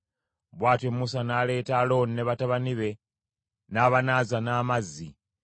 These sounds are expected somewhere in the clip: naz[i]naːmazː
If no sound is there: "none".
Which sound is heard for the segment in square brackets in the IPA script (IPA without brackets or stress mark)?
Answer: a